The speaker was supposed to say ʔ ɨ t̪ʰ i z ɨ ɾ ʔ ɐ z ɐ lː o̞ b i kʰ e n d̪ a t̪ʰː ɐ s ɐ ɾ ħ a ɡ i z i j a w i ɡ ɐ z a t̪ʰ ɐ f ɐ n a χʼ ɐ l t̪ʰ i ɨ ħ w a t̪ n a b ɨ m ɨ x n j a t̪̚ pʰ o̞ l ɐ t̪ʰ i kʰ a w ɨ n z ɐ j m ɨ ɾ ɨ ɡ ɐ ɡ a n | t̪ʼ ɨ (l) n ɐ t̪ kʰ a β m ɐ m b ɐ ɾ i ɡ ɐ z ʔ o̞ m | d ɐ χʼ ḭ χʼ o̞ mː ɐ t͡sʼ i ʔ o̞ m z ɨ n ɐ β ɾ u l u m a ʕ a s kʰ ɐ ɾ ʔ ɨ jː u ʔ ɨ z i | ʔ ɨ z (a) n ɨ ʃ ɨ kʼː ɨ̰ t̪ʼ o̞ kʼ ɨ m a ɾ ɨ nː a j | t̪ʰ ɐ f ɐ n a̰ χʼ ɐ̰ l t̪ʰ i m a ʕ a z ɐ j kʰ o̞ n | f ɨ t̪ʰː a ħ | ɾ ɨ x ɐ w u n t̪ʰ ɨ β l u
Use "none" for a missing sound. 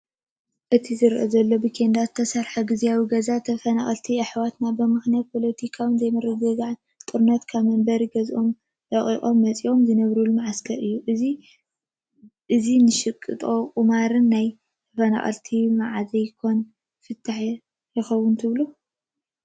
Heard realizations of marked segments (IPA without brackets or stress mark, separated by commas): ɾ, i